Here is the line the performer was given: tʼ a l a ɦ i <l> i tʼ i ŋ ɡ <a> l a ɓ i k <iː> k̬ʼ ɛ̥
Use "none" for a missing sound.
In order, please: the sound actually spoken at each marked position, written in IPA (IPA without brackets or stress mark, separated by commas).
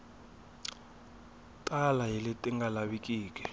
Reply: l, a, iː